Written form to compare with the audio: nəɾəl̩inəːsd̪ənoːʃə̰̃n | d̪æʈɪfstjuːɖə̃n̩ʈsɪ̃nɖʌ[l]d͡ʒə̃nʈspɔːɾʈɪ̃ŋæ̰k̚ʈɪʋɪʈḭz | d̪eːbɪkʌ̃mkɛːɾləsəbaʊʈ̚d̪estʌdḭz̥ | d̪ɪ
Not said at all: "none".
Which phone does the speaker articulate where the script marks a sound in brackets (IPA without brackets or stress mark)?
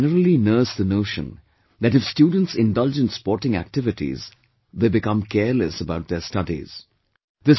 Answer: l